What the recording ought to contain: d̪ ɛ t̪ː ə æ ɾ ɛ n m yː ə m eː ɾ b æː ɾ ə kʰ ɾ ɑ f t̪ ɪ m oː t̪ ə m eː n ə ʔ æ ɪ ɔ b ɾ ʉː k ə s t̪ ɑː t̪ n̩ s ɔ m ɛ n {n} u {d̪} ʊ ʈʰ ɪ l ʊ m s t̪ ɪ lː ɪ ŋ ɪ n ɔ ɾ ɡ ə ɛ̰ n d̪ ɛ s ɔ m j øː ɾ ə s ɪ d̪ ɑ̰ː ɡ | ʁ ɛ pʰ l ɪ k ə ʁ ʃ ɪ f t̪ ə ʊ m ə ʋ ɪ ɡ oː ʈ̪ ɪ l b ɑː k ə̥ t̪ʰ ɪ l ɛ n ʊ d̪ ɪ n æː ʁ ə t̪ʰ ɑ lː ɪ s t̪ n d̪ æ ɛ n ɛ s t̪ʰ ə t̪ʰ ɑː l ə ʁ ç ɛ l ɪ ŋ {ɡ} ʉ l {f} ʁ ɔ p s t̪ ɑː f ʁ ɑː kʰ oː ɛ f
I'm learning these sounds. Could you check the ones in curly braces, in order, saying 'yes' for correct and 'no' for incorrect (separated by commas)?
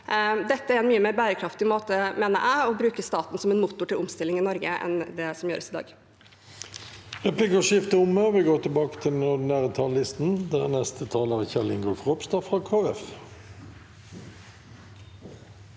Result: no, no, yes, yes